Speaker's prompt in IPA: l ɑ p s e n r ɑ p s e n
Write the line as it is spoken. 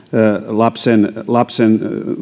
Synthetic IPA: l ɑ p s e n l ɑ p s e n